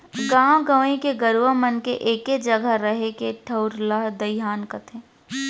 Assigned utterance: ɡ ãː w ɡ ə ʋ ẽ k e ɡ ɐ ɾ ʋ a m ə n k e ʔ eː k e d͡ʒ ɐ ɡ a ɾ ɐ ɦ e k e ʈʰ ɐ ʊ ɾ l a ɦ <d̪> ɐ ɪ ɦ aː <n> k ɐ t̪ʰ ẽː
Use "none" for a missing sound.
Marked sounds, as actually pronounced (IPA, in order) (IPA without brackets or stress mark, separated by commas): d̪, n